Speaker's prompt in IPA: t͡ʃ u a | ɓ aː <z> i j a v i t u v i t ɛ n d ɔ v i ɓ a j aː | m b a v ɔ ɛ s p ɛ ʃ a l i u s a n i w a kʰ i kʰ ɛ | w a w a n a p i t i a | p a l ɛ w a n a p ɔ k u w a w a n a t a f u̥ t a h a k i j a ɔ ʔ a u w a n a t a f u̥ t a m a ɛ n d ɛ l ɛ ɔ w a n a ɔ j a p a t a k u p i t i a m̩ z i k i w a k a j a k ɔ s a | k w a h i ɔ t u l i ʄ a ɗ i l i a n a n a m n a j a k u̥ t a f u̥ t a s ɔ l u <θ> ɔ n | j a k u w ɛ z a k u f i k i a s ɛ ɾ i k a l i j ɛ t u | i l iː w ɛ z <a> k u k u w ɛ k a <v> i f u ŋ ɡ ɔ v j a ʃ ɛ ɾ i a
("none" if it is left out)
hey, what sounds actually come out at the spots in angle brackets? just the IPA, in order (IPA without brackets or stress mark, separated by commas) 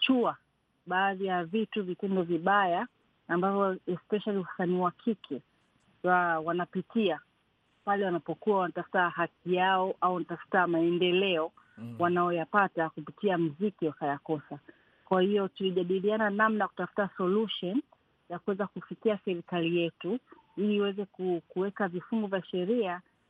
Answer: ð, ʃ, ɛ, v